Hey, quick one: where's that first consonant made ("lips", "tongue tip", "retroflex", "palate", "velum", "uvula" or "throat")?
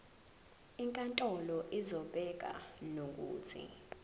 velum